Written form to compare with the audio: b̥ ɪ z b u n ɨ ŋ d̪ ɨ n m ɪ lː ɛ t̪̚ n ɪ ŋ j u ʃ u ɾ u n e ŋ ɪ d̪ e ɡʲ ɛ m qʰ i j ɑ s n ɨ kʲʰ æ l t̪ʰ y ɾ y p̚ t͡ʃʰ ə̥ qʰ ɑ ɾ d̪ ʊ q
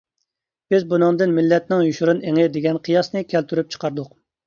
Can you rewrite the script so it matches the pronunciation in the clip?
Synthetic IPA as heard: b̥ ɪ z b u n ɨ ŋ d̪ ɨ n m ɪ lː ɛ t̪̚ n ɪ ŋ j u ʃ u ɾ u n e ŋ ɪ d̪ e ɡʲ ɛ n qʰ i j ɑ s n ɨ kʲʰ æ l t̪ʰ y ɾ y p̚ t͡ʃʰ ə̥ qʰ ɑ ɾ d̪ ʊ q